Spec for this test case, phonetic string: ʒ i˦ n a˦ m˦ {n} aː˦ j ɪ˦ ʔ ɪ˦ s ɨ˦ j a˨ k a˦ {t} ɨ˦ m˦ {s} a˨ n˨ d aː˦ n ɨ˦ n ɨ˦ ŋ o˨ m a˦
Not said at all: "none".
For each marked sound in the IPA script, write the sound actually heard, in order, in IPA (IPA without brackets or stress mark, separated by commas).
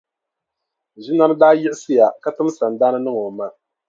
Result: d, t, s